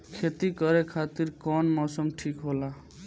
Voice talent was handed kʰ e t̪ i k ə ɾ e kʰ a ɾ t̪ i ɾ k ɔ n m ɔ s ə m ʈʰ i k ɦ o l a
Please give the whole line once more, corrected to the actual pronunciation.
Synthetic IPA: kʰ e t̪ i k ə ɾ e kʰ a t̪ i ɾ k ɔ n m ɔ s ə m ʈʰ i k ɦ o l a